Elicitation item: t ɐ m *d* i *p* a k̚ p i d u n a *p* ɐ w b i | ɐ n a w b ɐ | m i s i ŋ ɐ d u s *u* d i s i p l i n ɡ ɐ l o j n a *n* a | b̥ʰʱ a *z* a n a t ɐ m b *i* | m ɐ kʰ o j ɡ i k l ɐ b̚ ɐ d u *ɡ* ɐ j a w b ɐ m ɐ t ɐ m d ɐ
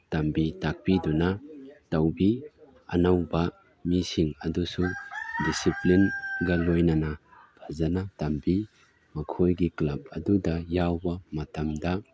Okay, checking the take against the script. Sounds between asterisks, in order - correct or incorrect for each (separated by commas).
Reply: incorrect, incorrect, incorrect, correct, correct, correct, correct, incorrect